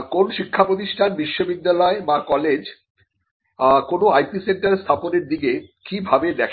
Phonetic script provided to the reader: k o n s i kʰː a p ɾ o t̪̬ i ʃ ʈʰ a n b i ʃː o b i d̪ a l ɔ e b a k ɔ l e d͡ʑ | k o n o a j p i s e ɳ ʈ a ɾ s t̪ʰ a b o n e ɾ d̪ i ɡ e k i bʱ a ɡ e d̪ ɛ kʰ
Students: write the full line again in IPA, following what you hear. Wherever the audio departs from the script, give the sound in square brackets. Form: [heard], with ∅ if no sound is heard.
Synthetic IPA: k o n [ʃ] i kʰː a p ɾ o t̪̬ i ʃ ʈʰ a n b i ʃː o b i [d̪ː] a l ɔ e b a k ɔ l e d͡ʑ | k o n o a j p i s e ɳ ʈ a ɾ s t̪ʰ a [p] o n e ɾ d̪ i ɡ e k i bʱ a [b] e d̪ ɛ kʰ